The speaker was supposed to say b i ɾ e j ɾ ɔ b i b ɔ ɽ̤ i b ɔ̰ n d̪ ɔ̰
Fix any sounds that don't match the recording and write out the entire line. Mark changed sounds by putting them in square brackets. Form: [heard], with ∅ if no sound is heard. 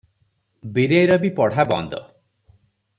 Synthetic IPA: b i ɾ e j ɾ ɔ b i [p] ɔ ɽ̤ [a] b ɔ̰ n d̪ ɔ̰